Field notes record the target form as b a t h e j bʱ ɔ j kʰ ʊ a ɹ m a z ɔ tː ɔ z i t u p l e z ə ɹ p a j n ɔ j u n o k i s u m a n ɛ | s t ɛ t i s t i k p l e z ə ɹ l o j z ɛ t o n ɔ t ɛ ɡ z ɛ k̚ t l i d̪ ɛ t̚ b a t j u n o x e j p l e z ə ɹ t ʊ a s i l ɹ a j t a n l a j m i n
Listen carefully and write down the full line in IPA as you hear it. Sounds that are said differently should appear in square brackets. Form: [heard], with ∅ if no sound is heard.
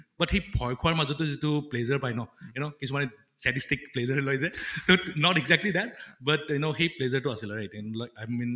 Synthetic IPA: b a t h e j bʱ ɔ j kʰ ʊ a ɹ m a z ɔ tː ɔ z i t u p l e z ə ɹ p a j n ɔ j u n o k i s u m a n ɛ | s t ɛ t i s t i k p l e z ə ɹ l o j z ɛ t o n ɔ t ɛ ɡ z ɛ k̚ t l i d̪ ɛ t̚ b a t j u n o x e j p l e z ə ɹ t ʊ a s i l ɹ a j t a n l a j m i n